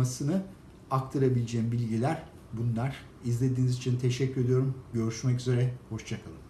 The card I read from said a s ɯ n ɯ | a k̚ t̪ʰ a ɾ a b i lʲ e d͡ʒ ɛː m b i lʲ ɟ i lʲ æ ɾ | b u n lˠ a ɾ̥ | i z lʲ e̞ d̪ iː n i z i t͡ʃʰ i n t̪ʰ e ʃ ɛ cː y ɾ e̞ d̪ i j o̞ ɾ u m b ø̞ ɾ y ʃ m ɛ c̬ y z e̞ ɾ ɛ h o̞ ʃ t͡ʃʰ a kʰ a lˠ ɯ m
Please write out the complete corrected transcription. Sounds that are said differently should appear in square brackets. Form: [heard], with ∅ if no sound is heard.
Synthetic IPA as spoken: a s ɯ n ɯ | a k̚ t̪ʰ a ɾ a b i lʲ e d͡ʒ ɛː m b i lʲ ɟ i lʲ æ ɾ | b u n lˠ a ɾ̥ | i z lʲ e̞ d̪ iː n i z i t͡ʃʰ i n t̪ʰ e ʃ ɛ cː y ɾ e̞ d̪ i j o̞ ɾ u m [ɟ] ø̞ ɾ y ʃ m ɛ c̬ y z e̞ ɾ ɛ h o̞ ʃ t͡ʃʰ a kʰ a lˠ ɯ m